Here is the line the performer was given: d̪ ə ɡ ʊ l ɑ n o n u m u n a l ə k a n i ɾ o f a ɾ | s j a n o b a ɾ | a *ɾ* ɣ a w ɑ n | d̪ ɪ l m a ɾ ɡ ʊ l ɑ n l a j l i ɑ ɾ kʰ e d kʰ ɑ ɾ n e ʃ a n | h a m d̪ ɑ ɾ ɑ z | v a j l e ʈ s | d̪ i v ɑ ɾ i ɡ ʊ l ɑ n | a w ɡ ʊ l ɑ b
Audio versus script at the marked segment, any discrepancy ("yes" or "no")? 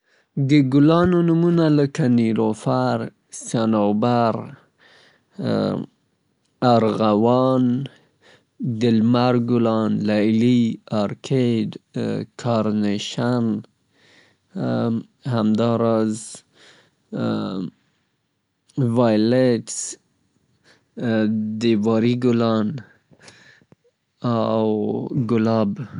no